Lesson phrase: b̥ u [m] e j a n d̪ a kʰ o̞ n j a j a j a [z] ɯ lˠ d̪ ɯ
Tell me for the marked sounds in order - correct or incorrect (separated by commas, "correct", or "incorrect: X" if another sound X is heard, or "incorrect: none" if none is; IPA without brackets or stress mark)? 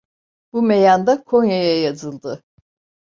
correct, correct